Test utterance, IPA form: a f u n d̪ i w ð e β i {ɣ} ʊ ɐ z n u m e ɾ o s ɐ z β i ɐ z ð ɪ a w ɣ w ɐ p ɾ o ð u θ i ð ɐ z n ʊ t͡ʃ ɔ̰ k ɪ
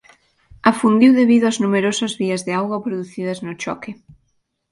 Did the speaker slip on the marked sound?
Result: yes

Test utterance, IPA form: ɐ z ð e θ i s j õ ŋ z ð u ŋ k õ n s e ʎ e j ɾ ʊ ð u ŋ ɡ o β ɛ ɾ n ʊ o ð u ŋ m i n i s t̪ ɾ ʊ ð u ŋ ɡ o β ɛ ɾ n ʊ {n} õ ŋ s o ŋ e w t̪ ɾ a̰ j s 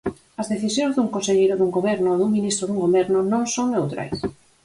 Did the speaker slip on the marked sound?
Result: no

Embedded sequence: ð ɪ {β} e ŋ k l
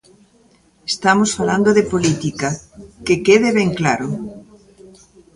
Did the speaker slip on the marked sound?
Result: no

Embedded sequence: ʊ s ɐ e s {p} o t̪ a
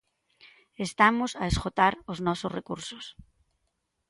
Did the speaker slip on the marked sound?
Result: yes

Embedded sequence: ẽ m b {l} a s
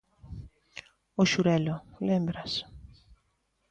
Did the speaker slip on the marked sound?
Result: yes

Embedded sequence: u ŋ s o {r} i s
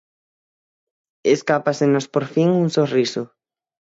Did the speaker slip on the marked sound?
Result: no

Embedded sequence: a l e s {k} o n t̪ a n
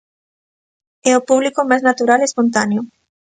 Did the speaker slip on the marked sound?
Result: yes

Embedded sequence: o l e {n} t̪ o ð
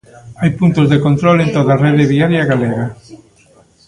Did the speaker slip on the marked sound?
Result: no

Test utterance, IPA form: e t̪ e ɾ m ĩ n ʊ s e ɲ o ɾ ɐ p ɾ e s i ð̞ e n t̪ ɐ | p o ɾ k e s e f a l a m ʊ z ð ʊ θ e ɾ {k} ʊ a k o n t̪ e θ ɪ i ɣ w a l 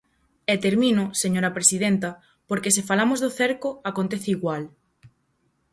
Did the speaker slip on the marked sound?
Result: no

